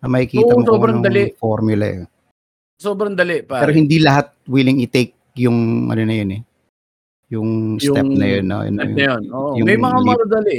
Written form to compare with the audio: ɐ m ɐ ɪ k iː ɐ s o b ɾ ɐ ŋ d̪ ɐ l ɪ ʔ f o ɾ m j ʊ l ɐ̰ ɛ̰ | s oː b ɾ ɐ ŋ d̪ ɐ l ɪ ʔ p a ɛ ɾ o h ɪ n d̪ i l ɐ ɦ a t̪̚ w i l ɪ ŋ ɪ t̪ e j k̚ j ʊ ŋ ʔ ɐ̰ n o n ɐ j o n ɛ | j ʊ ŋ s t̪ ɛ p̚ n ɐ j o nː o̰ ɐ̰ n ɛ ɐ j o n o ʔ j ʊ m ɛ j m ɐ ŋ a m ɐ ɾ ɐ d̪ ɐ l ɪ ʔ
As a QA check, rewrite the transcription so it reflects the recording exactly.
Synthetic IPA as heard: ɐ m ɐ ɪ k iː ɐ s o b ɾ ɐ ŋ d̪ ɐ l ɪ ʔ f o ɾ m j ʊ l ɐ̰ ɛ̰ | s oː b ɾ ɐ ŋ d̪ ɐ l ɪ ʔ p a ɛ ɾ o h ɪ n d̪ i l ɐ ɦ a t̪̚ w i l ɪ ŋ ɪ t̪ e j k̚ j ʊ ŋ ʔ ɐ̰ n o n ɐ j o n ɛ | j ʊ ŋ s t̪ ɛ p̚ n ɐ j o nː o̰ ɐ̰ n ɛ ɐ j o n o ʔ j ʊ m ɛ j m ɐ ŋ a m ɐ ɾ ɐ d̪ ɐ l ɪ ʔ